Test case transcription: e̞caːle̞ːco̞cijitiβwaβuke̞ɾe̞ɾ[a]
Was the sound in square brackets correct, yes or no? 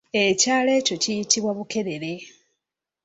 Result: no